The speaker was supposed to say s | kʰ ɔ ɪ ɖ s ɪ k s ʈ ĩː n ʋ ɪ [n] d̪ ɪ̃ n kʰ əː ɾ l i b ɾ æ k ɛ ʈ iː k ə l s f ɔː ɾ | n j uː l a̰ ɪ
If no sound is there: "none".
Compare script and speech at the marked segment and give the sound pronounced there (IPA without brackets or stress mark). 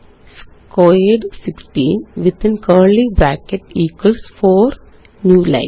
none